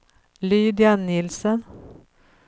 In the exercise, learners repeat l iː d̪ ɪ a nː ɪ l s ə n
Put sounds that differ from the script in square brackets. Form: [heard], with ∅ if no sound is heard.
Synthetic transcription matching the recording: l [yː] d̪ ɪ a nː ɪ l s ə n